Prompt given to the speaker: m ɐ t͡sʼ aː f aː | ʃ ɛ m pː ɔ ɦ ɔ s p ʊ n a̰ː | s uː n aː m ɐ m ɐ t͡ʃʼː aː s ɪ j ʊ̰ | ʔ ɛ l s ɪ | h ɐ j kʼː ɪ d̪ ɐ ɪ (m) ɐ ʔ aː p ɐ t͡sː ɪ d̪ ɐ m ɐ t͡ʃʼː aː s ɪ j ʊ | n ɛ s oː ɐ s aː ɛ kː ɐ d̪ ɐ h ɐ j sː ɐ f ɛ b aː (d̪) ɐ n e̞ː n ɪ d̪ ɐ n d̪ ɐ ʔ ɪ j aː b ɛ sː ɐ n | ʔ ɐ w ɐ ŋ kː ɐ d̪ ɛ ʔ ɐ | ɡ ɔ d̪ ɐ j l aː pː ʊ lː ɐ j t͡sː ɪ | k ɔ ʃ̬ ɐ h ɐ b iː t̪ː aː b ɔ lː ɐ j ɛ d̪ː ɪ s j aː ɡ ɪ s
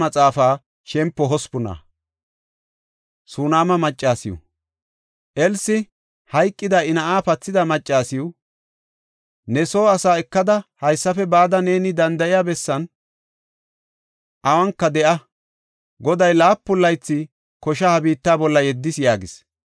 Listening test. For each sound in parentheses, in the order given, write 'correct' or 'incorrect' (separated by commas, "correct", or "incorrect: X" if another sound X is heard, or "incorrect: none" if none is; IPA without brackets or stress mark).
incorrect: n, correct